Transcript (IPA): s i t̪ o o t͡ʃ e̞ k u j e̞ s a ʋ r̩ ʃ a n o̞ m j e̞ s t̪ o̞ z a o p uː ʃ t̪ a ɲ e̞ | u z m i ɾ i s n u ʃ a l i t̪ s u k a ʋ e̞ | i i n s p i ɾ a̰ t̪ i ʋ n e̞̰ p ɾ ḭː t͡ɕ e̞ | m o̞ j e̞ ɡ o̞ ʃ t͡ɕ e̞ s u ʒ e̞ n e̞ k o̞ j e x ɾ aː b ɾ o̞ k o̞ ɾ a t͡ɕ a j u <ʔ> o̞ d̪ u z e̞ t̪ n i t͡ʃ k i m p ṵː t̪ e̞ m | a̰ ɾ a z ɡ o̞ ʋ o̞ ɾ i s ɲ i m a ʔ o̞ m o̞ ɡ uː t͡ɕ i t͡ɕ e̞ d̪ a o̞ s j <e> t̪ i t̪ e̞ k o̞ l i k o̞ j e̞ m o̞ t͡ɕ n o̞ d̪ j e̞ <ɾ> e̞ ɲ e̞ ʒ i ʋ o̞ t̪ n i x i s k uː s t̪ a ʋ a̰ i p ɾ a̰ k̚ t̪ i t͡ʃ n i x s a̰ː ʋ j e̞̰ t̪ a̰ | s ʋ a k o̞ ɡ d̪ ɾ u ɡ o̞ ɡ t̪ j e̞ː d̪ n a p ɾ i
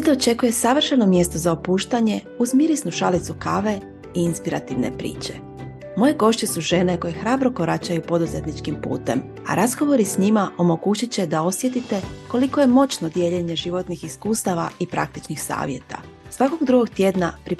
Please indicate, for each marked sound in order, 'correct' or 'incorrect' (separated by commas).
incorrect, correct, incorrect